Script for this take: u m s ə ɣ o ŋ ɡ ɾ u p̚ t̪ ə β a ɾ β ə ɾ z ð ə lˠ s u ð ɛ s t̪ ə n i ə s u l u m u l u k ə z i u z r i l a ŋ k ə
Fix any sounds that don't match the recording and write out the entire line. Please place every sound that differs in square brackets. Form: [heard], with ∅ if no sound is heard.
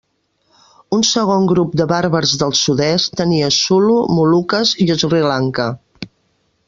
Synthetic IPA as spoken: u [n] s ə ɣ o ŋ ɡ ɾ u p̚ [d̪] ə β a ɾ β ə ɾ z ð ə lˠ s u ð ɛ s t̪ ə n i ə s u l u m u l u k ə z i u z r i l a ŋ k ə